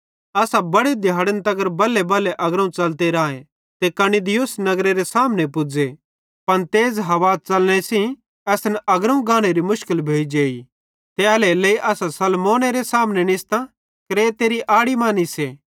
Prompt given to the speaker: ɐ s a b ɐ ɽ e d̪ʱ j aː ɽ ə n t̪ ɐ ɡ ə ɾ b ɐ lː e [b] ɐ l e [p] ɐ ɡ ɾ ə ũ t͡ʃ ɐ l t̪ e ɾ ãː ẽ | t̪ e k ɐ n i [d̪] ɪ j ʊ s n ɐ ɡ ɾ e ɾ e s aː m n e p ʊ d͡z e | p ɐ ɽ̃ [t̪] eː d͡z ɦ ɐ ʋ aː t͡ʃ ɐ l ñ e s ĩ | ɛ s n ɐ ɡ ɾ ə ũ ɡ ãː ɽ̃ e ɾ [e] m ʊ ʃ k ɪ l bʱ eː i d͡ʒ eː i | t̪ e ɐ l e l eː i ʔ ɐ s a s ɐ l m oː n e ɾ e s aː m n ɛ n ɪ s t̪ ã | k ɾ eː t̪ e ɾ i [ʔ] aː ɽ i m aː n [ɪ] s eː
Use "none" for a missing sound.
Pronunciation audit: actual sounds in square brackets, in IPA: b, ʔ, d̪, t̪, i, ʔ, i

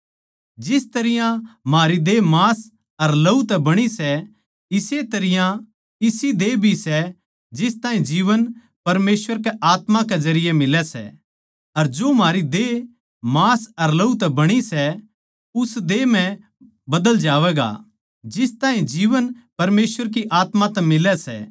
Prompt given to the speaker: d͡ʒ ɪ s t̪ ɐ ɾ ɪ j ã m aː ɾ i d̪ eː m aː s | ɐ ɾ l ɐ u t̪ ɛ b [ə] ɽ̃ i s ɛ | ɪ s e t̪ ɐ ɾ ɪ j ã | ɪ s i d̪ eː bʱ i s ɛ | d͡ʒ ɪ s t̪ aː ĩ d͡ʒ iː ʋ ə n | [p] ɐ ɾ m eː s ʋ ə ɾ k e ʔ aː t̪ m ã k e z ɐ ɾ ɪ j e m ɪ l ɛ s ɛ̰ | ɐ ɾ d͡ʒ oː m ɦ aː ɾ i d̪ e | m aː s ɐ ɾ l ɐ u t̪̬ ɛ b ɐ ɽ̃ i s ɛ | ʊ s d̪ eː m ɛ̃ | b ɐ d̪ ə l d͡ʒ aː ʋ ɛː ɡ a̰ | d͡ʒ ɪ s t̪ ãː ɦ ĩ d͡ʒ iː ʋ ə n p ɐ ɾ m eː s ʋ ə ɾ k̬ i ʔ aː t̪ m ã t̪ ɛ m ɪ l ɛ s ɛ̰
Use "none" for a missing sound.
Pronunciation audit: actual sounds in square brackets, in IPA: ɐ, p

